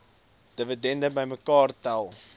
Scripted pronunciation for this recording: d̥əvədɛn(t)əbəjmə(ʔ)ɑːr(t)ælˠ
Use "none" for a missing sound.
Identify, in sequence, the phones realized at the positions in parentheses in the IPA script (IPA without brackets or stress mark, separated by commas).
d, k, t